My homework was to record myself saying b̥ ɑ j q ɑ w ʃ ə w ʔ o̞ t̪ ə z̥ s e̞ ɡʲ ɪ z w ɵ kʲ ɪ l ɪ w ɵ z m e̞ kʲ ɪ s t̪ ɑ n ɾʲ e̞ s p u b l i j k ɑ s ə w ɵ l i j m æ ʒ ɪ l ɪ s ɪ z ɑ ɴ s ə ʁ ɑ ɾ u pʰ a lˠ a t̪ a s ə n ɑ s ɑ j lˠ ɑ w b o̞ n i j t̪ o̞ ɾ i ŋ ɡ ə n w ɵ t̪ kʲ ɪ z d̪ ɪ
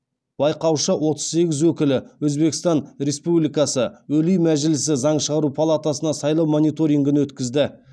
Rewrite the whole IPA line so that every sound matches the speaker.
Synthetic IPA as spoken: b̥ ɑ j q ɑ w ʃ ə w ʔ o̞ t̪ ə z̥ s e̞ ɡʲ ɪ z w ɵ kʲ ɪ l ɪ w ɵ z b e̞ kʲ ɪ s t̪ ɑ n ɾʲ e̞ s p u b l i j k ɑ s ə w ɵ l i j m æ ʒ ɪ l ɪ s ɪ z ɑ ɴ ʃ ə ʁ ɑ ɾ u pʰ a lˠ a t̪ a s ə n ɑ s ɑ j lˠ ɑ w m o̞ n i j t̪ o̞ ɾ i ŋ ɡ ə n w ɵ t̪ kʲ ɪ z d̪ ɪ